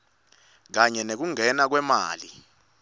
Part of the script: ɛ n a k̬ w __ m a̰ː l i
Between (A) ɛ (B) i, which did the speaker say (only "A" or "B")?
A